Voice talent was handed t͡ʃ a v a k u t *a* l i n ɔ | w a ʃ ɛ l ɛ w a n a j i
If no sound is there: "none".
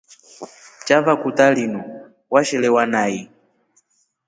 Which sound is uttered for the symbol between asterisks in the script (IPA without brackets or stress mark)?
a